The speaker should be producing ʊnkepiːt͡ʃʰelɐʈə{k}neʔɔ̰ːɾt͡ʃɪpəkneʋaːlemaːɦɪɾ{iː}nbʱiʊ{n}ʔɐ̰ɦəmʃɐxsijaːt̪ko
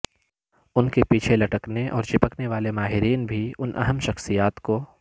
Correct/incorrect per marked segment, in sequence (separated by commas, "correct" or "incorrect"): correct, correct, correct